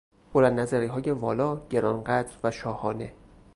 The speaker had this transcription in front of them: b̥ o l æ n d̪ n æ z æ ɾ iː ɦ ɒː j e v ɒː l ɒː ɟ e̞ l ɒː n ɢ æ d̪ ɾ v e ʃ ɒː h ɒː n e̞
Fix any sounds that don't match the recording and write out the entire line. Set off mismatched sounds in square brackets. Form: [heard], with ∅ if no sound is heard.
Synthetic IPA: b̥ o l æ n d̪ n æ z æ ɾ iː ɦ ɒː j e v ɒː l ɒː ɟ e̞ [ɾ] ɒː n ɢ æ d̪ ɾ v [æ] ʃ ɒː h ɒː n e̞